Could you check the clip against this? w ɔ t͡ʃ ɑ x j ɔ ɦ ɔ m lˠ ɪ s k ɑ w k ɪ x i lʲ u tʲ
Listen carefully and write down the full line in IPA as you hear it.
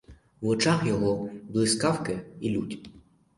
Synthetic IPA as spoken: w ɔ t͡ʃ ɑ x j ɔ ɦ ɔ b lˠ ɪ s k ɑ w k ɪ i lʲ u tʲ